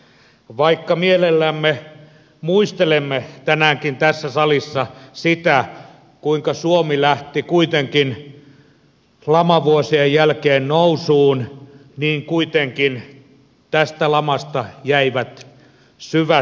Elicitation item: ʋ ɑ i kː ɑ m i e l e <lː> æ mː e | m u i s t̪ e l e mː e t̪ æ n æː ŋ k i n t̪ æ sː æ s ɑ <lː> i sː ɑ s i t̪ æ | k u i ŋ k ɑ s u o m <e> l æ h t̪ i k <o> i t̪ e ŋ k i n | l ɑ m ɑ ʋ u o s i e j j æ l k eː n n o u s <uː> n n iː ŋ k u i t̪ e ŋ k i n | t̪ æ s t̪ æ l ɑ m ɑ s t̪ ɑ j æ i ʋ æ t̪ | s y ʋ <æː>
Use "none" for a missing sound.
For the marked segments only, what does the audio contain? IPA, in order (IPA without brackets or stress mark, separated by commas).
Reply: lː, l, i, u, uː, æ